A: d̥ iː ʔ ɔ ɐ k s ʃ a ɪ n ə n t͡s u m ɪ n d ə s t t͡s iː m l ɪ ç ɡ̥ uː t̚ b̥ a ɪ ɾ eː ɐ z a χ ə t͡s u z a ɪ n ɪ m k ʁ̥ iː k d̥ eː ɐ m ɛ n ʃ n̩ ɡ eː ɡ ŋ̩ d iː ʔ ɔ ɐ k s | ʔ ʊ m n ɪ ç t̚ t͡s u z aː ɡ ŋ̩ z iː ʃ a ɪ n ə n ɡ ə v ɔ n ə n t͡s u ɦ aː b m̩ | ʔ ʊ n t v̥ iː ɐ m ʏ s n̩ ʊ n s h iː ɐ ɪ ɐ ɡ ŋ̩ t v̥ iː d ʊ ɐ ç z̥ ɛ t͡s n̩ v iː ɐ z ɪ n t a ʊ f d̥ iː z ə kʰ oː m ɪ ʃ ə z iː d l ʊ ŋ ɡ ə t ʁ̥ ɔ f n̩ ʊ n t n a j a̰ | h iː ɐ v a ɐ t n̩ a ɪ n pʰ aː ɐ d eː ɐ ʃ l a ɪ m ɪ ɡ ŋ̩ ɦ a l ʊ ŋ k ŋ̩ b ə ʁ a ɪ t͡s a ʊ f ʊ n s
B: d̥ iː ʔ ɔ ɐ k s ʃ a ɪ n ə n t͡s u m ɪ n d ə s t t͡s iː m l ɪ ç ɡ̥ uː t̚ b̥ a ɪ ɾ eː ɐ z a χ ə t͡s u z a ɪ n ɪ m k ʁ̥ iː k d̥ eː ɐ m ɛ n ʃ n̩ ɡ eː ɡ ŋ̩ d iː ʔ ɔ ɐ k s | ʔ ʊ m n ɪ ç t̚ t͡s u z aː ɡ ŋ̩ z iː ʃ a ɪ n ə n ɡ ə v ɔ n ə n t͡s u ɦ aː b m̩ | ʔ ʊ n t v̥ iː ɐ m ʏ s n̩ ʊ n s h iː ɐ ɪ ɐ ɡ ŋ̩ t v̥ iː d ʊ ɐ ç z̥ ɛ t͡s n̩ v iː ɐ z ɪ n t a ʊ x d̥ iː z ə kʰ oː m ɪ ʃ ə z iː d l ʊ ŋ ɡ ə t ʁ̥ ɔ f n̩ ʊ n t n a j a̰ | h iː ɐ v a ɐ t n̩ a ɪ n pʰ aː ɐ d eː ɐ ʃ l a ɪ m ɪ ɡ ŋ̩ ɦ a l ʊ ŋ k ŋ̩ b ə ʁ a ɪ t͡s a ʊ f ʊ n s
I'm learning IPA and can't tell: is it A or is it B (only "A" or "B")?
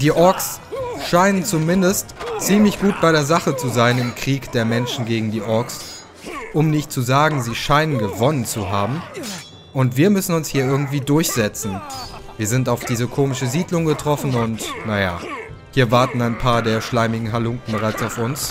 A